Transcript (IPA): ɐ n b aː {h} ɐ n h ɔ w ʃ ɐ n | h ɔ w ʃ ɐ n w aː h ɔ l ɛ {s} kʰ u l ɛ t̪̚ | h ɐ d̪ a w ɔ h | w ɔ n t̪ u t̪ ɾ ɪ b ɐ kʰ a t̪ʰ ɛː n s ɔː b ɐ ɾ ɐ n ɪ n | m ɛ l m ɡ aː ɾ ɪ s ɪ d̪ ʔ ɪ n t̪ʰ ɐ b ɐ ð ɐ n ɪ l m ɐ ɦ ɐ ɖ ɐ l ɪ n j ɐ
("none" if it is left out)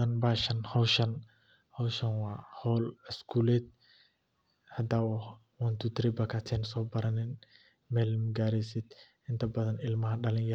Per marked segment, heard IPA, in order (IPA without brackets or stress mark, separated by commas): ʃ, s